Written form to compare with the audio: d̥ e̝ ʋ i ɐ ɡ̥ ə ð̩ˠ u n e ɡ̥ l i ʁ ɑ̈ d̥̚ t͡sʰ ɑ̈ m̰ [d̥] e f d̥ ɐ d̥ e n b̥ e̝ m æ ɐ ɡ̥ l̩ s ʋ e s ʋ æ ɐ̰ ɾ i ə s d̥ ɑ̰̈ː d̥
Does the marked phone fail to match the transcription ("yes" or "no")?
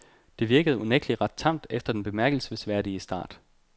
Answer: no